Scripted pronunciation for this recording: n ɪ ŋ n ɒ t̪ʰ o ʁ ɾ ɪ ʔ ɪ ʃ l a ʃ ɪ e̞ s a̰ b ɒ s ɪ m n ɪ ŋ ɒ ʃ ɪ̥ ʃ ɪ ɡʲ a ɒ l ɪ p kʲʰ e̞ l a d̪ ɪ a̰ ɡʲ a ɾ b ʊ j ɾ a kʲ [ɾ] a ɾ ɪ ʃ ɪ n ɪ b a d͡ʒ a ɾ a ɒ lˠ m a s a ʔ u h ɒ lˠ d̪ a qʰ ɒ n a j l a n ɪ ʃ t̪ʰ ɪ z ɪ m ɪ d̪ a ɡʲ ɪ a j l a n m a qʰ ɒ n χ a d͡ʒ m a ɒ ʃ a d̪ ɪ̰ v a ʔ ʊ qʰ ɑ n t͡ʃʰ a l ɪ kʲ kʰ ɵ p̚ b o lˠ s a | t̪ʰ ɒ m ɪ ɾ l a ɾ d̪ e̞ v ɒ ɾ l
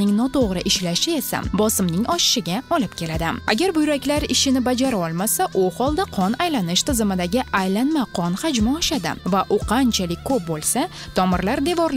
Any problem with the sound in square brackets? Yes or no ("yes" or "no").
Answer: yes